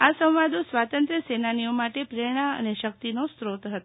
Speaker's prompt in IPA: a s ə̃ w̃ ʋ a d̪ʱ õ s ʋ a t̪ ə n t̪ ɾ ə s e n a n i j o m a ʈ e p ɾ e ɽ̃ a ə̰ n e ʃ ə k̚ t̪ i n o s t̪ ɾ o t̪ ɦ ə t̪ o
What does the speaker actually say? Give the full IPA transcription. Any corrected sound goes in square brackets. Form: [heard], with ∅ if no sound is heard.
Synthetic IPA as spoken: a s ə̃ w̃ ʋ a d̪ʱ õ s ʋ a t̪ ə n t̪ ɾ ə s e n a n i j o m a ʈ e p ɾ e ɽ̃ a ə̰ n e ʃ ə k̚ t̪ i n o s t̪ ɾ o t̪ ɦ ə t̪ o